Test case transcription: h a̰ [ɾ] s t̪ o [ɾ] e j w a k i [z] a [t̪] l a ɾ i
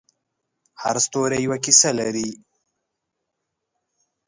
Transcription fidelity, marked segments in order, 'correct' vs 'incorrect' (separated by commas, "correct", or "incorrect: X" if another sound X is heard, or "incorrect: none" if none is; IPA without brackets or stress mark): correct, correct, incorrect: s, incorrect: none